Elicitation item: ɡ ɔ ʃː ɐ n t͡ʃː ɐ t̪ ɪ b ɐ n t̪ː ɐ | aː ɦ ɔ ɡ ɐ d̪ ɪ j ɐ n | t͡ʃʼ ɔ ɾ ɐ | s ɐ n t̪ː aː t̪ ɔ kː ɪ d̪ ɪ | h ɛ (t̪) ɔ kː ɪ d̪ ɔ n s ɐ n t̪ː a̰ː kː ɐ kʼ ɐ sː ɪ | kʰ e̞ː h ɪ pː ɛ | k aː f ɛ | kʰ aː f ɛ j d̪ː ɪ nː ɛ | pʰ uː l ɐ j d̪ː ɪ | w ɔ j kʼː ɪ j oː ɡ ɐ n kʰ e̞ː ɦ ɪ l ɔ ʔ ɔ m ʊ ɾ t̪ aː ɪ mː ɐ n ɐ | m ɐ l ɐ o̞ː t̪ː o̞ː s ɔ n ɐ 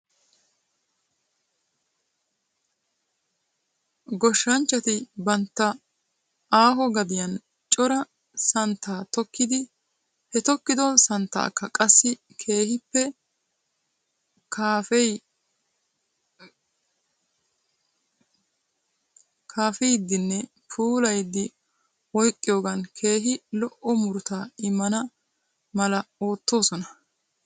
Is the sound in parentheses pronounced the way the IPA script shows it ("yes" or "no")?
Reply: yes